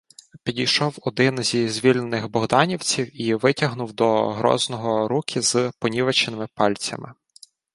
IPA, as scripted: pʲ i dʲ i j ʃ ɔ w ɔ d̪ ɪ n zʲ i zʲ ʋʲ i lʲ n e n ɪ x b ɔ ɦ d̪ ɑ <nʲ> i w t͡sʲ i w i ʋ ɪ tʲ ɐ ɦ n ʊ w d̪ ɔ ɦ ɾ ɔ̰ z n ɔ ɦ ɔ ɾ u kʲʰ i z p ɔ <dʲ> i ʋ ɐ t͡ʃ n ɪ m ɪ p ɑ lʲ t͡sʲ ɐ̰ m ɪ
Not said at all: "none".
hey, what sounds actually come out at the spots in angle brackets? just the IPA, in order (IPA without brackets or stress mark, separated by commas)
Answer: nʲ, nʲ